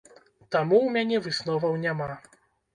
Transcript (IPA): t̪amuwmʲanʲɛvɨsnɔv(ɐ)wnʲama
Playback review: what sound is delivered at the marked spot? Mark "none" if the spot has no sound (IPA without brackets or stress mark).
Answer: ɐ